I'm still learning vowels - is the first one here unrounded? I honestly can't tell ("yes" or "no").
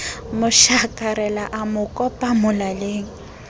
no